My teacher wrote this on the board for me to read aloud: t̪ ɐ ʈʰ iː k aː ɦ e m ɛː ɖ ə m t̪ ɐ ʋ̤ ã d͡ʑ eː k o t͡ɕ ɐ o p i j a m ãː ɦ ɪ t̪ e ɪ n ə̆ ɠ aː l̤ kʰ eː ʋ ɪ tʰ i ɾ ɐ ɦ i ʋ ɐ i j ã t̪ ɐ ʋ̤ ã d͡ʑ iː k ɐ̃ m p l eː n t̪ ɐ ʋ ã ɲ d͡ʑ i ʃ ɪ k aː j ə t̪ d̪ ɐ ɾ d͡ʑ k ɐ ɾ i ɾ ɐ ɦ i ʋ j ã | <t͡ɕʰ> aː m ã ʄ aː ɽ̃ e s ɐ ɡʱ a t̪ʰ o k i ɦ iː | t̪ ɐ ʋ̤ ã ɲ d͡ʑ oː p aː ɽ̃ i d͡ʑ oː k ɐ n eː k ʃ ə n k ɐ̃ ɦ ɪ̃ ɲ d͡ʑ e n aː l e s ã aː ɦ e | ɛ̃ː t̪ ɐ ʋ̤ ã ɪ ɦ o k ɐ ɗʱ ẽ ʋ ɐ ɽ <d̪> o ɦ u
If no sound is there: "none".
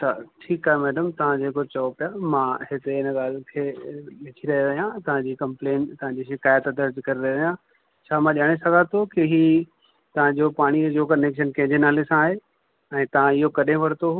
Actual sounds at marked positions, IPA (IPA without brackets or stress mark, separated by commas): t͡ɕʰ, t̪